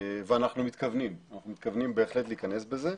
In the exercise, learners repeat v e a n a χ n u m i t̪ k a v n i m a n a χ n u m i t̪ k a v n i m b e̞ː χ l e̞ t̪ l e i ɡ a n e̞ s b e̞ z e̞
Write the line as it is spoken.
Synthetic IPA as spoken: v e a n a χ n u m i t̪ k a v n i m a n a χ n u m i t̪ k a v n i m b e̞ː χ l e̞ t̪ l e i k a n e̞ s b e̞ z e̞